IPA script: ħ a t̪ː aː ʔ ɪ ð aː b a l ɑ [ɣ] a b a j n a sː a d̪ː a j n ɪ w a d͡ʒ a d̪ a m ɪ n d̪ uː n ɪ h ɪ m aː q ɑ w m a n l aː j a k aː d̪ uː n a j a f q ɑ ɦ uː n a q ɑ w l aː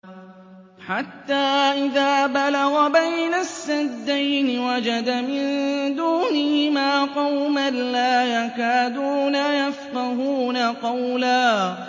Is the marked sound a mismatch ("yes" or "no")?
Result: no